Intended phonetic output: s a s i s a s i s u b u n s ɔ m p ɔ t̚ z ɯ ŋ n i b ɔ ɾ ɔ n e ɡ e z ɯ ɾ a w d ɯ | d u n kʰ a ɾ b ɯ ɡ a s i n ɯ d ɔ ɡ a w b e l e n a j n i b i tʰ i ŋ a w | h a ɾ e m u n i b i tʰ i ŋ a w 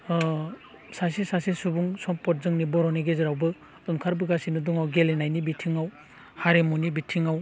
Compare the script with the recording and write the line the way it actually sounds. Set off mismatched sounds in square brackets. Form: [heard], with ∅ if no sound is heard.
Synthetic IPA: s a s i s a s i s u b u [ŋ] s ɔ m p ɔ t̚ z ɯ ŋ n i b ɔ ɾ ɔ n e ɡ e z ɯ ɾ a w [b] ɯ | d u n kʰ a ɾ b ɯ ɡ a s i n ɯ d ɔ [ŋ] a w [ɡ] e l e n a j n i b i tʰ i ŋ a w | h a ɾ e m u n i b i tʰ i ŋ a w